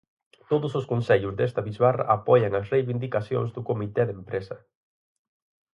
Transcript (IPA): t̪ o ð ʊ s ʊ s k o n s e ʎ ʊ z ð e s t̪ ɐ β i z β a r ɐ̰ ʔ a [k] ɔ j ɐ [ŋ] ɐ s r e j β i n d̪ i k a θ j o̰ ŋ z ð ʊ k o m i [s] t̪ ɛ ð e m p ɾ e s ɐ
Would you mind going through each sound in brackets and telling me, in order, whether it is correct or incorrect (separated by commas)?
incorrect, correct, incorrect